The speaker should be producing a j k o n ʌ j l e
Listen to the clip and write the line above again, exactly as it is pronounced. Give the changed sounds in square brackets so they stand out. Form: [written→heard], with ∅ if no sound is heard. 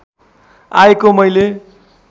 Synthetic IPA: a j k o [n→m] ʌ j l e